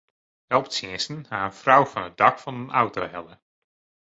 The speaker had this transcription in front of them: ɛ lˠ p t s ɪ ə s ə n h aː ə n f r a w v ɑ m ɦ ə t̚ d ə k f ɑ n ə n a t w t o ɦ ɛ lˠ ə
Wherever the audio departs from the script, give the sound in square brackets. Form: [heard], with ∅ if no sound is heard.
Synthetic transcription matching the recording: ɛ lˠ p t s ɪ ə s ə n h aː ə n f r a w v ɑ [n] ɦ ə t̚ d [ɑ] k f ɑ n ə n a [∅] w t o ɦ ɛ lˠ ə